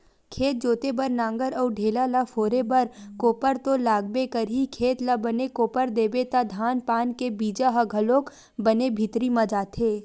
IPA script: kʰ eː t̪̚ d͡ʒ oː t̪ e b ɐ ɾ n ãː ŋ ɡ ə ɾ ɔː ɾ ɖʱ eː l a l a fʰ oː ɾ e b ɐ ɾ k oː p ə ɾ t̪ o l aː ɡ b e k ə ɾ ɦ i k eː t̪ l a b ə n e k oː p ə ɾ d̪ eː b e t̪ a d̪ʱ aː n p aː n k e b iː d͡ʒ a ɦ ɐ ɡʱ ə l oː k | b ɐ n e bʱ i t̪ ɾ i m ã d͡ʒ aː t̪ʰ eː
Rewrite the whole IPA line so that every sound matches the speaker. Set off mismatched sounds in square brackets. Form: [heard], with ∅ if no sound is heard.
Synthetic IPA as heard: kʰ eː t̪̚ d͡ʒ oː t̪ e b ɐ ɾ n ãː ŋ ɡ ə ɾ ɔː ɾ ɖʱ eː l a l a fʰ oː ɾ e b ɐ ɾ k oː p ə ɾ t̪ o l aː ɡ b e k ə ɾ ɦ i [kʰ] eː t̪ l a b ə n e k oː p ə ɾ d̪ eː b e t̪ a d̪ʱ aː n p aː n k e b iː d͡ʒ a ɦ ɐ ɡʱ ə l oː k | b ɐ n e bʱ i t̪ ɾ i m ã d͡ʒ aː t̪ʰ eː